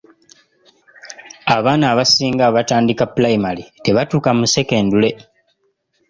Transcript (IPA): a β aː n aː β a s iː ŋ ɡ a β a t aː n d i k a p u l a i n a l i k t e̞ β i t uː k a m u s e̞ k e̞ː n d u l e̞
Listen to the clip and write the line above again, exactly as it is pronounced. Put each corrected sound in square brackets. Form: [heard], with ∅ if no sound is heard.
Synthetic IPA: a β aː n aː β a s iː ŋ ɡ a β a t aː n d i k a p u l a i [m] a l i [∅] t e̞ β [a] t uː k a m u s e̞ k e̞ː n d u l e̞